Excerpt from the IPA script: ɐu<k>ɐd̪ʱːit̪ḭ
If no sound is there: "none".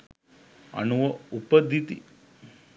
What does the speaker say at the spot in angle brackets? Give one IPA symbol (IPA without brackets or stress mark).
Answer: p